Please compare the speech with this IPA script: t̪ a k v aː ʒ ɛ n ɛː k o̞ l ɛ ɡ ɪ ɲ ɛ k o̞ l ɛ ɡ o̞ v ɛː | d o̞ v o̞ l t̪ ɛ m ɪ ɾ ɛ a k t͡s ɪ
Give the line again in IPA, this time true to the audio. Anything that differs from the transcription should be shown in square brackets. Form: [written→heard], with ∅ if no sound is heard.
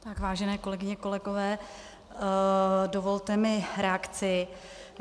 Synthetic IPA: t̪ a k v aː ʒ ɛ n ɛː k o̞ l ɛ ɡ ɪ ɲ ɛ k o̞ l ɛ ɡ o̞ v ɛː | d o̞ v o̞ l t̪ ɛ m ɪ ɾ ɛ a k t͡s ɪ